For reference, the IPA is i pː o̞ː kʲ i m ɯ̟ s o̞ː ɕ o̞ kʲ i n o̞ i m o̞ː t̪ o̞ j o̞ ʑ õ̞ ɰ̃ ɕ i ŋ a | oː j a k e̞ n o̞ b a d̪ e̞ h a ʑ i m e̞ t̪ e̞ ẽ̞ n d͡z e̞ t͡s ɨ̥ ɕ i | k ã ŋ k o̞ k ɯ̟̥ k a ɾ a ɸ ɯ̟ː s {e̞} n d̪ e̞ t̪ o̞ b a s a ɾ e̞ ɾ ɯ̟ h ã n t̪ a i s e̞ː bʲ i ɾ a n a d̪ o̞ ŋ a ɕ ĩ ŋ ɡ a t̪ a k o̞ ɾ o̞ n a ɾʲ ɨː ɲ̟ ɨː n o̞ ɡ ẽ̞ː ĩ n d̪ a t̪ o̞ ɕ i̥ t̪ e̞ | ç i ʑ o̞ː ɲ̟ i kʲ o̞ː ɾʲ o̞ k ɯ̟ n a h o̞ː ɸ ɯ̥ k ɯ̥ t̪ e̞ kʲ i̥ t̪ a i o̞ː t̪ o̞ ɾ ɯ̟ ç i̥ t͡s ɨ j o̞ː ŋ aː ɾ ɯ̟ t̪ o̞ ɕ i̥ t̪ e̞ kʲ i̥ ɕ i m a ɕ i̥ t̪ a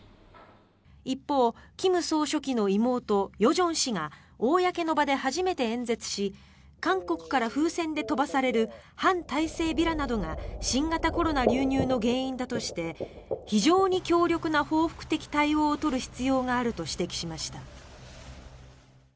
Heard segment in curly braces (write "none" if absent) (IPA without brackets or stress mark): ẽ̞